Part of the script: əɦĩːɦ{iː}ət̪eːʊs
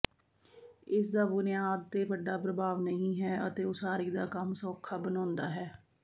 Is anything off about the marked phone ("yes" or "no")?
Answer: yes